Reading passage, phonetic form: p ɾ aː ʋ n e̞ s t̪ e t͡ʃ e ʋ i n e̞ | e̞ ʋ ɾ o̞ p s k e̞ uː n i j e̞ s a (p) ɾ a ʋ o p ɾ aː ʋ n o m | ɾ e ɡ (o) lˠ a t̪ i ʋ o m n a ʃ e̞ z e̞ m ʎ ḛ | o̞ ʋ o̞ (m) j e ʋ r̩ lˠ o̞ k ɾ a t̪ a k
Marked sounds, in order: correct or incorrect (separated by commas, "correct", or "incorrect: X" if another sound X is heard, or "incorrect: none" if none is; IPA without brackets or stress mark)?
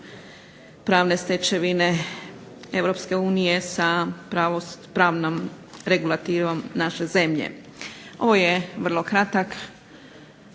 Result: correct, incorrect: u, incorrect: none